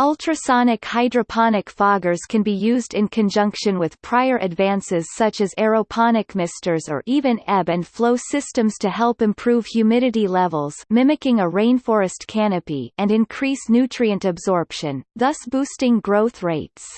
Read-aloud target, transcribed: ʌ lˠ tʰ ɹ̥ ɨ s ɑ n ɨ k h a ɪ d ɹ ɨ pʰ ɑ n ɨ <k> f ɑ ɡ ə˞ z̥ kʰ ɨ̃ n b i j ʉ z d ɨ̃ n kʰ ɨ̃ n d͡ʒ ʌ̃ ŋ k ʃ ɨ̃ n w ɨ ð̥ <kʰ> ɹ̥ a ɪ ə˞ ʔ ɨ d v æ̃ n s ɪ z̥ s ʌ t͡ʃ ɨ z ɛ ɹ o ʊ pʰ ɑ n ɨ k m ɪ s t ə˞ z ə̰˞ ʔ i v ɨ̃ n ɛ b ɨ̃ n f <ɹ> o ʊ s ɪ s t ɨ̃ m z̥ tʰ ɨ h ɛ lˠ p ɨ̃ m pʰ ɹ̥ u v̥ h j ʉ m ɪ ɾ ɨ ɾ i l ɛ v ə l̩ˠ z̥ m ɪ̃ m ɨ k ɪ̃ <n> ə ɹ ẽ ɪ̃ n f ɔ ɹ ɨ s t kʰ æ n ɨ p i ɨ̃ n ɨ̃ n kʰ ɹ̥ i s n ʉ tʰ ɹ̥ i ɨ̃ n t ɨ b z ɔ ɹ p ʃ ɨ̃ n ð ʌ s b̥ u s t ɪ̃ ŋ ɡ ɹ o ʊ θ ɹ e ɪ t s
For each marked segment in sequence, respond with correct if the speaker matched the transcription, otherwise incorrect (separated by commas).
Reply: correct, incorrect, incorrect, incorrect